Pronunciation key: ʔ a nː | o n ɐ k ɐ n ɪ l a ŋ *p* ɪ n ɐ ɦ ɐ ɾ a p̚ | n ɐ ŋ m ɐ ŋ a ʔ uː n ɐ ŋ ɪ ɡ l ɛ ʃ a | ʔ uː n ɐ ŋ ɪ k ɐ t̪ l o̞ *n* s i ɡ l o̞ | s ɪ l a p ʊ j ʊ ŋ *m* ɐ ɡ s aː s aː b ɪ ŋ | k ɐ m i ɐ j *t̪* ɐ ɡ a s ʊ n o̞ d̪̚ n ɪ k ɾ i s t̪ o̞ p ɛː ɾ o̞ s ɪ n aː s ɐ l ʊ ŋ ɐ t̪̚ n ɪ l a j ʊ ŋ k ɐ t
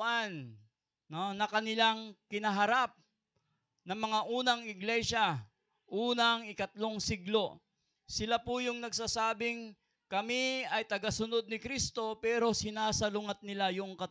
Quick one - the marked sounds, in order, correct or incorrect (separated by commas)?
incorrect, incorrect, incorrect, correct